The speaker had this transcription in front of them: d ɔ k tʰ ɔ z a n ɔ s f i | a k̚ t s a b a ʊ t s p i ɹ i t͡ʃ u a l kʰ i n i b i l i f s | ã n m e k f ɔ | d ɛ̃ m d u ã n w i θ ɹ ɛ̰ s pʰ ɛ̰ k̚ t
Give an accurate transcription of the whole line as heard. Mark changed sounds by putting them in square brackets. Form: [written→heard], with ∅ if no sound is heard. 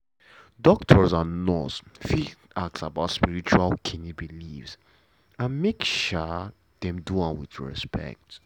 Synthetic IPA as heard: d ɔ k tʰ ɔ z a n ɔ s f i | a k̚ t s a b a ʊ t s p i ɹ i t͡ʃ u a l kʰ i n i b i l i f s | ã n m e k [f→ʃ] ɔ | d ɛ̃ m d u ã n w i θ ɹ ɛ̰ s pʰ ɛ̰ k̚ t